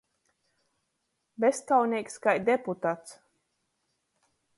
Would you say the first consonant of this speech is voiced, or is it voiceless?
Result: voiced